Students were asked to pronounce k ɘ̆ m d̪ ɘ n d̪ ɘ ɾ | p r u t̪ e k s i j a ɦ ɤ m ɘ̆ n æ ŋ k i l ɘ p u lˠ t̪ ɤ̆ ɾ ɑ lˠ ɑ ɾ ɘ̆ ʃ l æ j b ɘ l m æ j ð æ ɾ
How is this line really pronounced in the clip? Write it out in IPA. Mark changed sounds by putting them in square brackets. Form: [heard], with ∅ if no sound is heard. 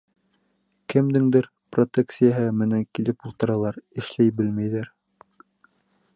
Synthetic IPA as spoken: k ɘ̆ m d̪ ɘ [ŋ] d̪ ɘ ɾ | p r [o] t̪ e k s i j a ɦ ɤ m ɘ̆ n æ ŋ k i l ɘ p u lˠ t̪ ɤ̆ ɾ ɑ lˠ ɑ ɾ ɘ̆ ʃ l æ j b ɘ l m æ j ð æ ɾ